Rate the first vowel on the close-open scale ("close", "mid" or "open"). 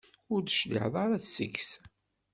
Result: close